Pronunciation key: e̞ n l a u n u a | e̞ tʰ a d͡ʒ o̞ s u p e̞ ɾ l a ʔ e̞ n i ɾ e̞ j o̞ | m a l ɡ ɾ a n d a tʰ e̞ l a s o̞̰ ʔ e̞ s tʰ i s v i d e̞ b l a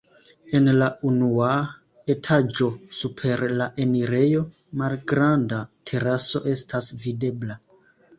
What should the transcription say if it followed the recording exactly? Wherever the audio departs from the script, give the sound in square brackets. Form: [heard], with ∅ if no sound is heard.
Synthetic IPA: e̞ n l a u n u a | e̞ tʰ a d͡ʒ o̞ s u [pʰ] e̞ ɾ l a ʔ e̞ n i ɾ e̞ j o̞ | m a l ɡ ɾ a n d a tʰ e̞ [ɾ] a s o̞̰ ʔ e̞ s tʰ [a] s v i d e̞ b l a